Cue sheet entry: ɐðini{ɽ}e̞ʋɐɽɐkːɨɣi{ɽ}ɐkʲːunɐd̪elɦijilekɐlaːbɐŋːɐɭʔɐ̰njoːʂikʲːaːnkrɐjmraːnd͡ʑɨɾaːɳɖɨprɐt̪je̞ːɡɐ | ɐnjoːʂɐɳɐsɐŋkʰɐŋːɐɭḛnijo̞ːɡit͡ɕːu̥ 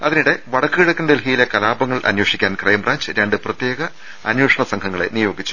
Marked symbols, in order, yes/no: yes, yes

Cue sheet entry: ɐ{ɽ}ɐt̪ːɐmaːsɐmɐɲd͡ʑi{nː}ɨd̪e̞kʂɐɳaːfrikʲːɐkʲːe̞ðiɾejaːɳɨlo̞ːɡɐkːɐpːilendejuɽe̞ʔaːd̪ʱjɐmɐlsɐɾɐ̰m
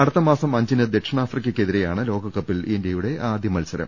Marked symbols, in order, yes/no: yes, no

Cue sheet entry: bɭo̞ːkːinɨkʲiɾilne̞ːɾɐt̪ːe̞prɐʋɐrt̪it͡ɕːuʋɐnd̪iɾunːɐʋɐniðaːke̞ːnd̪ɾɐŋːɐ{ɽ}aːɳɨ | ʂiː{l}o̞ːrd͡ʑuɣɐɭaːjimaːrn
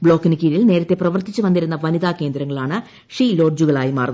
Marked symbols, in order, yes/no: no, yes

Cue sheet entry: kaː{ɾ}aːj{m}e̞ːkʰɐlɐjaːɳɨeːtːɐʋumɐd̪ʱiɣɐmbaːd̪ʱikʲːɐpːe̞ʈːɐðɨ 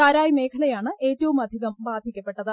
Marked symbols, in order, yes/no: yes, yes

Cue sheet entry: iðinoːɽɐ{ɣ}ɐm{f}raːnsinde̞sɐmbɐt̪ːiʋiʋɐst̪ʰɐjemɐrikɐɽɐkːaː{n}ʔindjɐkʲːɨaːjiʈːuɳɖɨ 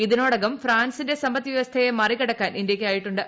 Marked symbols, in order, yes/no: yes, yes, yes

